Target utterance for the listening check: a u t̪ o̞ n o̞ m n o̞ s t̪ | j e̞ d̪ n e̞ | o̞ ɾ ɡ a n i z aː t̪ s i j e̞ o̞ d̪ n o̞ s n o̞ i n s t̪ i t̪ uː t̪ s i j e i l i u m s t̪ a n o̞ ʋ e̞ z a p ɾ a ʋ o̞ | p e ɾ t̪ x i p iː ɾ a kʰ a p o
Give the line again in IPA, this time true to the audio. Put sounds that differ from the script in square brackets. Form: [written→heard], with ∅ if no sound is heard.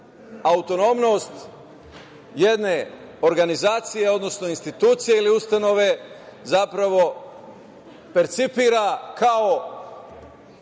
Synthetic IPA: a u t̪ o̞ n o̞ m n o̞ s t̪ | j e̞ d̪ n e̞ | o̞ ɾ ɡ a n i z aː t̪ s i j e̞ o̞ d̪ n o̞ s n o̞ i n s t̪ i t̪ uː t̪ s i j e i l i u [m→∅] s t̪ a n o̞ ʋ e̞ z a p ɾ a ʋ o̞ | p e ɾ t̪ [x→s] i p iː ɾ a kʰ a [p→∅] o

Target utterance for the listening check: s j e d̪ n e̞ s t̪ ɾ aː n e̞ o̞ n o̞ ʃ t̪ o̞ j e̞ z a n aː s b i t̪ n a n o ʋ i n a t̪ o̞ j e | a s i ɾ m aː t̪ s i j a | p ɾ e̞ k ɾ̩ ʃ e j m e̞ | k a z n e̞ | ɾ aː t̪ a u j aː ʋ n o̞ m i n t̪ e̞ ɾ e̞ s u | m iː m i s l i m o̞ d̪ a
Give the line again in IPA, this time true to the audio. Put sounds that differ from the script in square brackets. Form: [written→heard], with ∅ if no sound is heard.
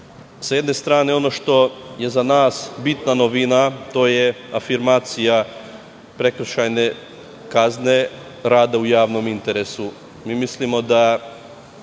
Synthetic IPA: s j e d̪ n e̞ s t̪ ɾ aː n e̞ o̞ n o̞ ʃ t̪ o̞ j e̞ z a n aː s b i t̪ n a n o ʋ i n a t̪ o̞ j e | a [s→f] i ɾ m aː t̪ s i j a | p ɾ e̞ k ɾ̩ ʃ [e→a] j [m→n] e̞ | k a z n e̞ | ɾ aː [t̪→d̪] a u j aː ʋ n o̞ m i n t̪ e̞ ɾ e̞ s u | m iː m i s l i m o̞ d̪ a

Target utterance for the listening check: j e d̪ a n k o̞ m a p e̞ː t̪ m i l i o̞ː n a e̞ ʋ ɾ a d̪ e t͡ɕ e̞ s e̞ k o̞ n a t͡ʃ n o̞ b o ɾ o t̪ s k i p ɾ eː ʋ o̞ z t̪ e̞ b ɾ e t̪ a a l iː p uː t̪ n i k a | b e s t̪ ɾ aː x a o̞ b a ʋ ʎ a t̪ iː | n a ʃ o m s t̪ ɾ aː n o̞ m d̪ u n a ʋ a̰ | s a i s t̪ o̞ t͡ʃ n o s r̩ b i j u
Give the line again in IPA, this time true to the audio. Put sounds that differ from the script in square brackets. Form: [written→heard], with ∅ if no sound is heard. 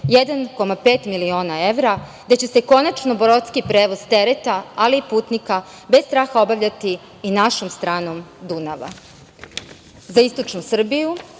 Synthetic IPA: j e d̪ a n k o̞ m a p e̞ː t̪ m i l i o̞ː n a e̞ ʋ ɾ a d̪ e t͡ɕ e̞ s e̞ k o̞ n a t͡ʃ n o̞ b o ɾ o t̪ s k i p ɾ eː ʋ o̞ z t̪ e̞ [b→∅] ɾ e t̪ a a l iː p uː t̪ n i k a | b e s t̪ ɾ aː x a o̞ b a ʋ ʎ a t̪ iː | n a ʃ o m s t̪ ɾ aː n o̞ m d̪ u n a ʋ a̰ | [s→z] a i s t̪ o̞ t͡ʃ n [o→u] s r̩ b i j u

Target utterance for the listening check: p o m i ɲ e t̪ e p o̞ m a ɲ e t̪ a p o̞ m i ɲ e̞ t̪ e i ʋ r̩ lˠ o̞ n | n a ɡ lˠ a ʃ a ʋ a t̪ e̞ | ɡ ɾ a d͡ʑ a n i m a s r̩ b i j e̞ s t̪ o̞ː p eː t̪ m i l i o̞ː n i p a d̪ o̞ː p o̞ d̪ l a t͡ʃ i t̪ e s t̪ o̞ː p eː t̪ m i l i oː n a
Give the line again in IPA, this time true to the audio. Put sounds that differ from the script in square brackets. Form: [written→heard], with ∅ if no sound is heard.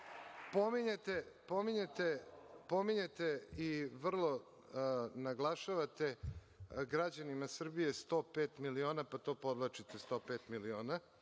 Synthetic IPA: p o m i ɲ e t̪ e p o̞ m [a→i] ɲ e t̪ [a→e] p o̞ m i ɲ e̞ t̪ e i ʋ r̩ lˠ o̞ [n→∅] | n a ɡ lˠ a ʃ a ʋ a t̪ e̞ | ɡ ɾ a d͡ʑ a n i m a s r̩ b i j e̞ s t̪ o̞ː p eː t̪ m i l i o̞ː n [i→a] p a [d̪→t̪] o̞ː p o̞ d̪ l a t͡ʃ i t̪ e s t̪ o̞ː p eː t̪ m i l i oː n a

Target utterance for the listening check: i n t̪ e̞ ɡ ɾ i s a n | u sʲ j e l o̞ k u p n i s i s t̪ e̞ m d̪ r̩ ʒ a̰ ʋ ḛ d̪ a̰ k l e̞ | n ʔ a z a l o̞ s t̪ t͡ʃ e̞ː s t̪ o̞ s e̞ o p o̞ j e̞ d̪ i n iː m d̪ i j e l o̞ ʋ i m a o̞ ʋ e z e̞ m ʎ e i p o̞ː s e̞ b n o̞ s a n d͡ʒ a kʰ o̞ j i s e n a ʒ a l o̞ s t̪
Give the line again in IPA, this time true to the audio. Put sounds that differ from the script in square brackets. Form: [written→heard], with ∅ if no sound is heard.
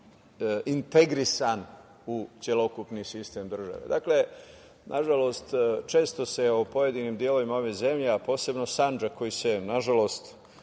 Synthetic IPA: i n t̪ e̞ ɡ ɾ i s a n | u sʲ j e l o̞ k u p n i s i s t̪ e̞ m d̪ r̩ ʒ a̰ ʋ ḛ d̪ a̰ k l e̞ | n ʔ a [z→ʒ] a l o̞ s t̪ t͡ʃ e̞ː s t̪ o̞ s e̞ o p o̞ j e̞ d̪ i n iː m d̪ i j e l o̞ ʋ i m a o̞ ʋ e z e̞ m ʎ e [i→a] p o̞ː s e̞ b n o̞ s a n d͡ʒ a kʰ o̞ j i s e n a ʒ a l o̞ s t̪

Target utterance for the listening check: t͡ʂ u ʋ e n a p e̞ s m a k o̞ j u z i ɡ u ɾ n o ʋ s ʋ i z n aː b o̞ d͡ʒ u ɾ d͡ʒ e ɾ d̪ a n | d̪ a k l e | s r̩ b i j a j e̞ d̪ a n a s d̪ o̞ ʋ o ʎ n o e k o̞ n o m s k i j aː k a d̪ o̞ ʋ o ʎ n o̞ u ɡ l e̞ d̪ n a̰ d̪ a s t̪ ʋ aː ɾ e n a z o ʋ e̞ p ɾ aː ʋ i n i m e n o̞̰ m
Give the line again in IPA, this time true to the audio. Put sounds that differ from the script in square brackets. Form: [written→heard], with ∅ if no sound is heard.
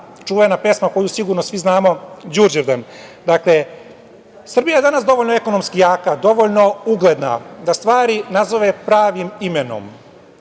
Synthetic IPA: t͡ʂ u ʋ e n a p e̞ s m a k o̞ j u [z→s] i ɡ u ɾ n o [ʋ→∅] s ʋ i z n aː [b→m] o̞ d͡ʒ u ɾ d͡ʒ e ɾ d̪ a n | d̪ a k l e | s r̩ b i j a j e̞ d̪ a n a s d̪ o̞ ʋ o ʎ n o e k o̞ n o m s k i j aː k a d̪ o̞ ʋ o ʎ n o̞ u ɡ l e̞ d̪ n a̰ d̪ a s t̪ ʋ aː ɾ [e→i] n a z o ʋ e̞ p ɾ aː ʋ i [n→m] i m e n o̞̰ m

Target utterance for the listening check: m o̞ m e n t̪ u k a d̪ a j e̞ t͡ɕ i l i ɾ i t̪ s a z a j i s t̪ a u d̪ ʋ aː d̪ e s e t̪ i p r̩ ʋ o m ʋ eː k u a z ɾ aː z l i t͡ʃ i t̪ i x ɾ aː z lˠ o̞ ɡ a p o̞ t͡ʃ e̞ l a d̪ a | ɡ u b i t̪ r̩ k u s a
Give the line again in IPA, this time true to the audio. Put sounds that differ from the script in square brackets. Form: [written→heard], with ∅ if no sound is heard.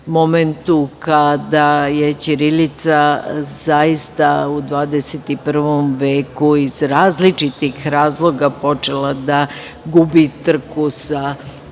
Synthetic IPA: m o̞ m e n t̪ u k a d̪ a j e̞ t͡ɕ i [l→ɾ] i [ɾ→l] i t̪ s a z a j i s t̪ a u d̪ ʋ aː d̪ e s e t̪ i p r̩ ʋ o m ʋ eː k u [a→i] z ɾ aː z l i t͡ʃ i t̪ i x ɾ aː z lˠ o̞ ɡ a p o̞ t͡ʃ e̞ l a d̪ a | ɡ u b i t̪ r̩ k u s a

